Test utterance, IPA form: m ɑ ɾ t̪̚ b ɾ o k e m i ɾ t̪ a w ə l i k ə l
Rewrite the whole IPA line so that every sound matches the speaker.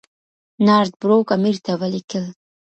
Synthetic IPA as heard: n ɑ ɾ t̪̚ b ɾ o k a m i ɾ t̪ a w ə l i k ə l